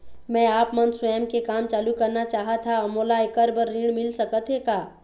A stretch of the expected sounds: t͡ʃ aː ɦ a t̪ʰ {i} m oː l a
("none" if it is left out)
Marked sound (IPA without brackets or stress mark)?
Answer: a